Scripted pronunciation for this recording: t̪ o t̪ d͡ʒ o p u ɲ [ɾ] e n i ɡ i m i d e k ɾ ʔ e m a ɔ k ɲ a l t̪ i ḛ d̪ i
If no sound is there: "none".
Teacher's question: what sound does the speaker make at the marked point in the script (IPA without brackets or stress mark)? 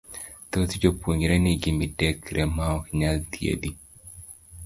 ɾ